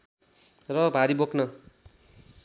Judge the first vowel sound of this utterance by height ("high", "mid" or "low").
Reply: mid